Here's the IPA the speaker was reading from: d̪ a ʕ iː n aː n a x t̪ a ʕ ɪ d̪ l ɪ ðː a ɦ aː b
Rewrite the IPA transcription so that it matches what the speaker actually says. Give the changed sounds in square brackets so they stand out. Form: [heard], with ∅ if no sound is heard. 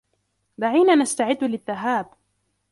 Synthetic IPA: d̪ a ʕ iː n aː n a [s] t̪ a ʕ ɪ [d̪ː] l ɪ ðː a ɦ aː b